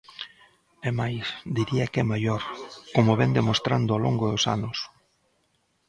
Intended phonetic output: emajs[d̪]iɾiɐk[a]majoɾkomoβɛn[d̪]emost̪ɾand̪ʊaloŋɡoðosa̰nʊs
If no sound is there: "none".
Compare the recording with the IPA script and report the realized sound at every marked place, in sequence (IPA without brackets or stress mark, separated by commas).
d̪, ɛ, d̪